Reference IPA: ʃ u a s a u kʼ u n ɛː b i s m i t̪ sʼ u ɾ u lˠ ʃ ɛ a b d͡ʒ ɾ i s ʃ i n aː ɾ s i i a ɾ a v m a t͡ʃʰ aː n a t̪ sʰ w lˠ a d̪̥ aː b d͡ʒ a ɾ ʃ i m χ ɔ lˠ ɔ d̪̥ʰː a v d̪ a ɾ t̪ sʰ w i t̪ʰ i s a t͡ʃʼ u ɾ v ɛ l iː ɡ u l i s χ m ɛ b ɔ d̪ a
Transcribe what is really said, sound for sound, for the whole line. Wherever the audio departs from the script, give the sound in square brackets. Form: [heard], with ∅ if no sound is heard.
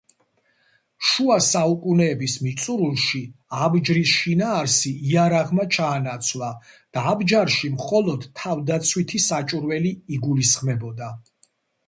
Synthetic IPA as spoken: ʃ u a s a u kʼ u n ɛː b i s m i t̪ sʼ u ɾ u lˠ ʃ [i] a b d͡ʒ ɾ i s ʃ i n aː ɾ s i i a ɾ a [ʁ] m a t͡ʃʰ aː n a t̪ sʰ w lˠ a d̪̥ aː b d͡ʒ a ɾ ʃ i m χ ɔ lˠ ɔ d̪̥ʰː a v d̪ a [∅] t̪ sʰ w i t̪ʰ i s a t͡ʃʼ u ɾ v ɛ l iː ɡ u l i s χ m ɛ b ɔ d̪ a

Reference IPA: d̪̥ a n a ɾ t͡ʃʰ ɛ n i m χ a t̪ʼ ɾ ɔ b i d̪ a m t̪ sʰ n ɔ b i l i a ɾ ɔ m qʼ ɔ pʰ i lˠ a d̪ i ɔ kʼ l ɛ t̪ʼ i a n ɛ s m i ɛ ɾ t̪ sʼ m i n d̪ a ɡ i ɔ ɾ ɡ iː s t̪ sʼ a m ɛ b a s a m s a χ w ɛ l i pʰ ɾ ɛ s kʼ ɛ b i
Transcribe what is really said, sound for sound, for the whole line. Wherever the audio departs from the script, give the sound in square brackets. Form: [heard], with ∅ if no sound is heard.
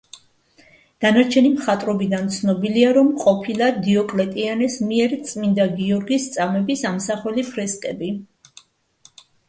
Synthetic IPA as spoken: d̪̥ a n a ɾ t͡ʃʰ ɛ n i m χ a t̪ʼ ɾ ɔ b i d̪ a [n] t̪ sʰ n ɔ b i l i a ɾ ɔ m qʼ ɔ pʰ i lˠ a d̪ i ɔ kʼ l ɛ t̪ʼ i a n ɛ s m i ɛ ɾ t̪ sʼ m i n d̪ a ɡ i ɔ ɾ ɡ [i] s t̪ sʼ a m ɛ b [i] s a m s a χ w ɛ l i pʰ ɾ ɛ s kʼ ɛ b i

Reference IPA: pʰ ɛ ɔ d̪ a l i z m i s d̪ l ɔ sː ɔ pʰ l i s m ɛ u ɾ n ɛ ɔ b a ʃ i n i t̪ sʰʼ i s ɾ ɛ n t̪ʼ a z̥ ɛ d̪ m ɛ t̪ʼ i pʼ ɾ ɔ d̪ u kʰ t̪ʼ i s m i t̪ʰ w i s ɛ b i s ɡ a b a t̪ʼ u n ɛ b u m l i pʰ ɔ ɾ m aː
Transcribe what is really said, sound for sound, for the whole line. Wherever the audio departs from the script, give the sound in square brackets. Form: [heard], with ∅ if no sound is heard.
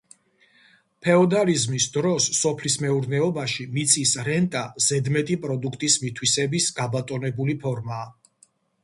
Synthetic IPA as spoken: pʰ ɛ ɔ d̪ a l i z m i s d̪ [ɾ] ɔ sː ɔ pʰ l i s m ɛ u ɾ n ɛ ɔ b a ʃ i [m] i t̪ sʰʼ i s ɾ ɛ n t̪ʼ a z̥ ɛ d̪ m ɛ t̪ʼ i pʼ ɾ ɔ d̪ u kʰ t̪ʼ i s m i t̪ʰ w i s ɛ b i s ɡ a b a t̪ʼ [ɔ] n ɛ b u [∅] l i pʰ ɔ ɾ m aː

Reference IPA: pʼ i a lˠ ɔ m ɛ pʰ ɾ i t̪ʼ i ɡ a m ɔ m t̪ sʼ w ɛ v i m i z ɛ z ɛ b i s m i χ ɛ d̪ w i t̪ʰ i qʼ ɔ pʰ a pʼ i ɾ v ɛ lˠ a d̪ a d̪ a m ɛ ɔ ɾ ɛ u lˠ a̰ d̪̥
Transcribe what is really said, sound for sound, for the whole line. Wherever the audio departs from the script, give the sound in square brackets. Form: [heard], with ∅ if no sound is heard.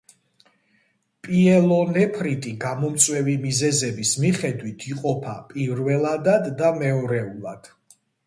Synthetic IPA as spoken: pʼ i [ɛ] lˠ ɔ [n] ɛ pʰ ɾ i t̪ʼ i ɡ a m ɔ m t̪ sʼ w ɛ v i m i z ɛ z ɛ b i s m i χ ɛ d̪ w i t̪ʰ i qʼ ɔ pʰ a pʼ i ɾ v ɛ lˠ a d̪ a [d̪ː] a m ɛ ɔ ɾ ɛ u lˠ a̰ d̪̥

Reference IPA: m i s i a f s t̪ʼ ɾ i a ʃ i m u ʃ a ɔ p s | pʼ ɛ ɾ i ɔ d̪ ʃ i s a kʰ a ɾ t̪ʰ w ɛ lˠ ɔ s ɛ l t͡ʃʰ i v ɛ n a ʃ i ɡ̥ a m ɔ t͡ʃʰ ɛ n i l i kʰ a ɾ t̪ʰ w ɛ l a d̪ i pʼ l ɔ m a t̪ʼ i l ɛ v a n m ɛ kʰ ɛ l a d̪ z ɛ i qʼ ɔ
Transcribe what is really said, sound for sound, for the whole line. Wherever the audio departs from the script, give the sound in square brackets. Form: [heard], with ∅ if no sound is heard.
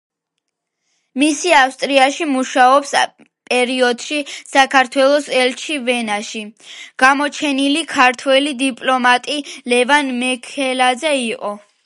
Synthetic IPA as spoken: m i s i a f s t̪ʼ ɾ i a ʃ i m u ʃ a ɔ p s | pʼ ɛ ɾ i ɔ d̪ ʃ i s a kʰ a ɾ t̪ʰ w ɛ lˠ ɔ s ɛ l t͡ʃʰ i v ɛ n a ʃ i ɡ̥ a m ɔ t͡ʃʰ ɛ n i l i kʰ a ɾ t̪ʰ w ɛ l [i] d̪ i pʼ l ɔ m a t̪ʼ i l ɛ v a n m ɛ kʰ ɛ l a d̪ z ɛ i qʼ ɔ

